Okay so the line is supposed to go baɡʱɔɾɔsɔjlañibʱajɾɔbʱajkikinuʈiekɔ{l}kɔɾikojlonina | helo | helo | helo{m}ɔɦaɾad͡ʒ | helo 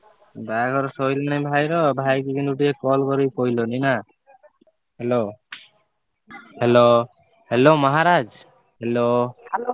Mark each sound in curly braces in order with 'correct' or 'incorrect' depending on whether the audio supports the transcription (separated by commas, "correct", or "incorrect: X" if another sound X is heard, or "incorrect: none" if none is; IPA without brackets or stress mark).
correct, correct